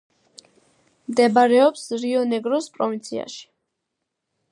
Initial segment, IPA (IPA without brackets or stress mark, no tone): m